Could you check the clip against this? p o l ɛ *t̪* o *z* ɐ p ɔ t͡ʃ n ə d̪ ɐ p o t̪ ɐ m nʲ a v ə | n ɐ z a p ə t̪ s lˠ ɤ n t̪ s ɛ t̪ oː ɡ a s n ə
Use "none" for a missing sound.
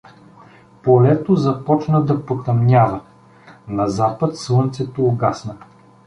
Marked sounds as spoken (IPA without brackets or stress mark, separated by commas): t̪, z